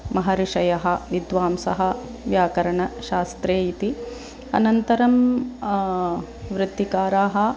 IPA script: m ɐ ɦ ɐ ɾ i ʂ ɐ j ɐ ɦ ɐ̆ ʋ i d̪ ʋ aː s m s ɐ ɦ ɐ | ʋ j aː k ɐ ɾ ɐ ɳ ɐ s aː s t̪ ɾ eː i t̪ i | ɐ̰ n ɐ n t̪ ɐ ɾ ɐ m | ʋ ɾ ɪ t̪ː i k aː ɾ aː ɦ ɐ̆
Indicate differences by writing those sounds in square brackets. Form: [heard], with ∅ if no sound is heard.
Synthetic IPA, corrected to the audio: m ɐ ɦ ɐ ɾ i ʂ ɐ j ɐ ɦ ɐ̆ ʋ i d̪ ʋ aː [∅] m s ɐ ɦ ɐ | ʋ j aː k ɐ ɾ ɐ ɳ ɐ [ʃ] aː s t̪ ɾ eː i t̪ i | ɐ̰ n ɐ n t̪ ɐ ɾ ɐ m | ʋ ɾ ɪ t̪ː i k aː ɾ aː ɦ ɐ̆